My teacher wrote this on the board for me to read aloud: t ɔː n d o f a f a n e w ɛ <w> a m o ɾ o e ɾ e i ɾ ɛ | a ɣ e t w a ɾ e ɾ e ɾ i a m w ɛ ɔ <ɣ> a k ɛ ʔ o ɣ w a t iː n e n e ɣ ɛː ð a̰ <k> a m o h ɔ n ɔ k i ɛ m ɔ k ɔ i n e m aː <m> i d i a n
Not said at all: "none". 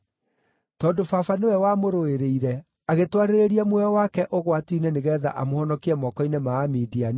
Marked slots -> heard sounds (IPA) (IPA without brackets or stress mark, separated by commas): w, w, ʔ, m